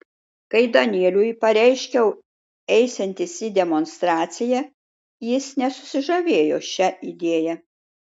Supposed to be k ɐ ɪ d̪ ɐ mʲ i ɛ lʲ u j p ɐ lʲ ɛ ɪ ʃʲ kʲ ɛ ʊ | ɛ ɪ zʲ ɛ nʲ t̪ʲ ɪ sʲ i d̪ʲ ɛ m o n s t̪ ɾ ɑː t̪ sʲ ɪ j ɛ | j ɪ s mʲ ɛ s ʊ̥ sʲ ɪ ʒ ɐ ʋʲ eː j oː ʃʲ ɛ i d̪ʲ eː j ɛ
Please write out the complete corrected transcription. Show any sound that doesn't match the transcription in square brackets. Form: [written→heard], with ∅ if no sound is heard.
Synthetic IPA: k ɐ ɪ d̪ ɐ [mʲ→nʲ] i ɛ lʲ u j p ɐ [lʲ→ɾʲ] ɛ ɪ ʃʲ kʲ ɛ ʊ | ɛ ɪ [zʲ→sʲ] ɛ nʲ t̪ʲ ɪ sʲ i d̪ʲ ɛ m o n s t̪ ɾ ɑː t̪ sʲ ɪ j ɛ | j ɪ s [mʲ→nʲ] ɛ s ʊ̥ sʲ ɪ ʒ ɐ ʋʲ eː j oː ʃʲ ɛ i d̪ʲ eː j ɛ

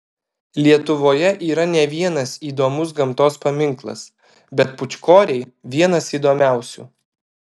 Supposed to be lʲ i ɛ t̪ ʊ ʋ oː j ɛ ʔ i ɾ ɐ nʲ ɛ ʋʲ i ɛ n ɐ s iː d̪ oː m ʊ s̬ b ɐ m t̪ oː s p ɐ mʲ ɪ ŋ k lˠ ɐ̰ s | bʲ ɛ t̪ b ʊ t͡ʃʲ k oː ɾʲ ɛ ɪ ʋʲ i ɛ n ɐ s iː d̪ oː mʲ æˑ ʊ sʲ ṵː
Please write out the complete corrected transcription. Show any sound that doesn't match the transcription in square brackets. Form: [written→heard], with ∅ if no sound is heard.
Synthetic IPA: lʲ i ɛ t̪ ʊ ʋ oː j ɛ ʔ [i→iː] ɾ ɐ nʲ ɛ ʋʲ i ɛ n ɐ s iː d̪ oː m ʊ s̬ [b→ɡ] ɐ m t̪ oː s p ɐ mʲ ɪ ŋ k lˠ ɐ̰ s | bʲ ɛ t̪ [b→p] ʊ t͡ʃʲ k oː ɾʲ ɛ ɪ ʋʲ i ɛ n ɐ s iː d̪ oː mʲ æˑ ʊ sʲ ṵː

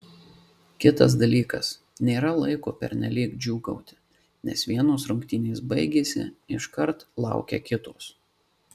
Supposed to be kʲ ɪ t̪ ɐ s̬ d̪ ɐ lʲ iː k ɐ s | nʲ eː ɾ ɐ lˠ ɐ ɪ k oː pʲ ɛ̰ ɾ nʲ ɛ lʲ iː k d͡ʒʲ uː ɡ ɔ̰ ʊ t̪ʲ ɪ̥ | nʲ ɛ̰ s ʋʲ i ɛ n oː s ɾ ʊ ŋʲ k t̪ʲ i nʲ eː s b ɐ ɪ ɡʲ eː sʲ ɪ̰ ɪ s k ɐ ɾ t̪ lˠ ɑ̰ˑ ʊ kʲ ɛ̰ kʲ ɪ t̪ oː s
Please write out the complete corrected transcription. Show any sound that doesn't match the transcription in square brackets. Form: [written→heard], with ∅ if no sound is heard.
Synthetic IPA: kʲ ɪ t̪ ɐ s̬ d̪ ɐ lʲ iː k ɐ s | nʲ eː ɾ ɐ lˠ ɐ ɪ k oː pʲ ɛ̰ ɾ nʲ ɛ lʲ iː k d͡ʒʲ uː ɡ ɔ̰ ʊ t̪ʲ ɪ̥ | nʲ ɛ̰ s ʋʲ i ɛ n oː s ɾ ʊ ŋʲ k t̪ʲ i nʲ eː s b ɐ ɪ ɡʲ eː sʲ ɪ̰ ɪ [s→ʃ] k ɐ ɾ t̪ lˠ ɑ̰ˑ ʊ kʲ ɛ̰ kʲ ɪ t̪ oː s

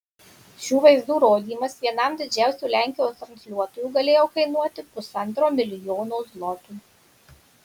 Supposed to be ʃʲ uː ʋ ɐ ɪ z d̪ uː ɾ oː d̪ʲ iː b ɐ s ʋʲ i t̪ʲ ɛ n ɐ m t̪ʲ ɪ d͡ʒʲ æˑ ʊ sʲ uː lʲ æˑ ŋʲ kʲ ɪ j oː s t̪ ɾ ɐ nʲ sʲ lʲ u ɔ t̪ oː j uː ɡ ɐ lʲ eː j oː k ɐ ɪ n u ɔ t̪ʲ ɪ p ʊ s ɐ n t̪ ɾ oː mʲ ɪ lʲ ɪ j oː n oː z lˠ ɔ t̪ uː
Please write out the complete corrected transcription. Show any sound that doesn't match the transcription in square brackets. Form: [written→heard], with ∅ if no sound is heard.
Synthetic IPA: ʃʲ uː ʋ ɐ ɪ z d̪ uː ɾ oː d̪ʲ iː [b→m] ɐ s ʋʲ i [t̪ʲ→∅] ɛ n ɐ m [t̪ʲ→d̪ʲ] ɪ d͡ʒʲ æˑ ʊ sʲ uː lʲ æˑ ŋʲ kʲ ɪ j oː s t̪ ɾ ɐ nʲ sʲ lʲ u ɔ t̪ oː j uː ɡ ɐ lʲ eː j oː k ɐ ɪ n u ɔ t̪ʲ ɪ p ʊ s ɐ n t̪ ɾ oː mʲ ɪ lʲ ɪ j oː n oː z lˠ ɔ t̪ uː

